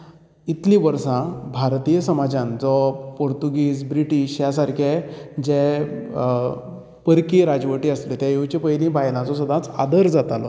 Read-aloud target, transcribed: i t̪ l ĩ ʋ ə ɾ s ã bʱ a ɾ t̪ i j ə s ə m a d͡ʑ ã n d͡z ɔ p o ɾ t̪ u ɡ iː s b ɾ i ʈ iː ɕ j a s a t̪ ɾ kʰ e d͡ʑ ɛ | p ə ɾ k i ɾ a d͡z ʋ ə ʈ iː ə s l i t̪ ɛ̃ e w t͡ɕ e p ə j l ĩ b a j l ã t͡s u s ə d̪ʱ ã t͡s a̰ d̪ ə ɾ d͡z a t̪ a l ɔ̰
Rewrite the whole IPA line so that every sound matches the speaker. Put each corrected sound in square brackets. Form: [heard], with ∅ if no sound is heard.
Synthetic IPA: i t̪ l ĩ ʋ ə ɾ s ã bʱ a ɾ t̪ i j ə s ə m a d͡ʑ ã n d͡z ɔ p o ɾ t̪ u ɡ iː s b ɾ i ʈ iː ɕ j a s a [∅] ɾ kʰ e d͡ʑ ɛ | p ə ɾ k i ɾ a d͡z ʋ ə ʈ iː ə s l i t̪ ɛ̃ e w t͡ɕ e p ə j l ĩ b a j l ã t͡s [ɔ] s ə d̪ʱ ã t͡s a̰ d̪ ə ɾ d͡z a t̪ a l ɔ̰